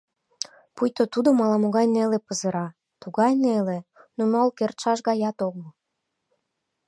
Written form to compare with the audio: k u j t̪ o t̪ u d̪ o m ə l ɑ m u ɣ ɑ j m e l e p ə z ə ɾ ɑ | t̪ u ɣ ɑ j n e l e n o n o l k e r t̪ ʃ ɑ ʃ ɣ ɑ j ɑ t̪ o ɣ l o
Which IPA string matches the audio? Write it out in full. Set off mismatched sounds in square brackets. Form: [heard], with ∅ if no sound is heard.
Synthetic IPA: [p] u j t̪ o t̪ u d̪ o m [ɑ] l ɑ m [o] ɣ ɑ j [n] e l e p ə z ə ɾ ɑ | t̪ u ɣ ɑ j n e l e n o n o l k e r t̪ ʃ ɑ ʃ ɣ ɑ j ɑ t̪ o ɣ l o